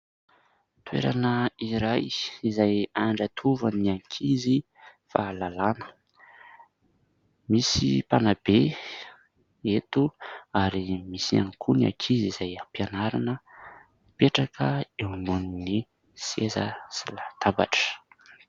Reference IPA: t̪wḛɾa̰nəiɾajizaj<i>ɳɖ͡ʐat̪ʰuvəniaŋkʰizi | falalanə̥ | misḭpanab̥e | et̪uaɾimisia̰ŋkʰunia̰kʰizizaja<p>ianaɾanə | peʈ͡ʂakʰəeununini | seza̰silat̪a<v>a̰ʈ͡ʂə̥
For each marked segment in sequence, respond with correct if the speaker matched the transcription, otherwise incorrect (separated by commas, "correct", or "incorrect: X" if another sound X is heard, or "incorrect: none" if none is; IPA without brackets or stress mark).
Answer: incorrect: a, correct, incorrect: b